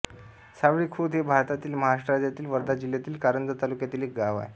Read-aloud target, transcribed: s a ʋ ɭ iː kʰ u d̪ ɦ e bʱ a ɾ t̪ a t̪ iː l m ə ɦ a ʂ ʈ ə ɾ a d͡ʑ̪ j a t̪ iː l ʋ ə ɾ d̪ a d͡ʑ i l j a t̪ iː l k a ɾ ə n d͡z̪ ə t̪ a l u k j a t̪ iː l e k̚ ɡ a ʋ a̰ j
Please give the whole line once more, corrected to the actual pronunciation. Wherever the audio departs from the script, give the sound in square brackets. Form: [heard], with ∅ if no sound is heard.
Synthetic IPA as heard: s a ʋ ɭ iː kʰ u d̪ ɦ e bʱ a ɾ t̪ a t̪ iː l m ə ɦ a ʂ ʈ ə ɾ a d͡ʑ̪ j a t̪ iː l ʋ ə ɾ d̪ a d͡ʑ i l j a t̪ iː l k a ɾ ə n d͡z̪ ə t̪ a l u k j a t̪ iː l e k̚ ɡ a ʋ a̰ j